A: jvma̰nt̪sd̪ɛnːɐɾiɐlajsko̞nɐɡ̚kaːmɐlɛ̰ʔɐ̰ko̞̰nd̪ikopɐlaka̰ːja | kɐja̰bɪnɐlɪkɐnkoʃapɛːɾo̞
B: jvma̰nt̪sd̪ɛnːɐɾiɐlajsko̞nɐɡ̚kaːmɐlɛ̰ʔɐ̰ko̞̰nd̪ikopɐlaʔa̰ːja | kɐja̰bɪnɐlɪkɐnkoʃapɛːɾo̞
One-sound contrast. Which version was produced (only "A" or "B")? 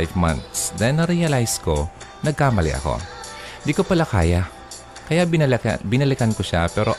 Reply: A